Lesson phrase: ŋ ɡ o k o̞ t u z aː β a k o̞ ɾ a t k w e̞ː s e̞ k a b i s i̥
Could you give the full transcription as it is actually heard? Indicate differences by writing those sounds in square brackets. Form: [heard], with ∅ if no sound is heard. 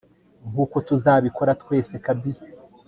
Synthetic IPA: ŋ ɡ [u] k o̞ t u z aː β [i] k o̞ ɾ a t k w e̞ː s e̞ k a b i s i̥